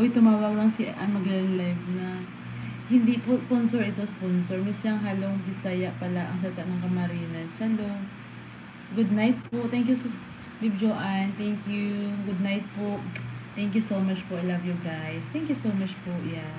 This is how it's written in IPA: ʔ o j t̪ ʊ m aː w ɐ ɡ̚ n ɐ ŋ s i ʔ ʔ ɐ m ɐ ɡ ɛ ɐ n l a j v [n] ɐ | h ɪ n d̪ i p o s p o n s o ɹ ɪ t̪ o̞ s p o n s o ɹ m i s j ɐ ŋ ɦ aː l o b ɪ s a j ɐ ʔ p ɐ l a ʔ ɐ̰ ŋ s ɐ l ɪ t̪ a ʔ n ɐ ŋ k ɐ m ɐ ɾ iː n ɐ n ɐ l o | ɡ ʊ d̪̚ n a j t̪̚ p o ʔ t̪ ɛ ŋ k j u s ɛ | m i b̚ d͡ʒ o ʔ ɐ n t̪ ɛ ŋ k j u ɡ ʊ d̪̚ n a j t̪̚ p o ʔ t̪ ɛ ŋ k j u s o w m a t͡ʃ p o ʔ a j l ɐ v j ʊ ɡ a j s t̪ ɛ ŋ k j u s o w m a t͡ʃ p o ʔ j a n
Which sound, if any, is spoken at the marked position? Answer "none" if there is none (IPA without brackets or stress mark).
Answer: n